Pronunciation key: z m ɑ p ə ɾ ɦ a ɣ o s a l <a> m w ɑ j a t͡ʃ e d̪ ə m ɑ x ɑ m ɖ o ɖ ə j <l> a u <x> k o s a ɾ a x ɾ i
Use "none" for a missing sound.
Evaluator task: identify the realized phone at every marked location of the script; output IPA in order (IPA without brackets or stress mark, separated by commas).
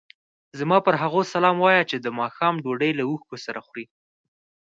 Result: ɑ, l, x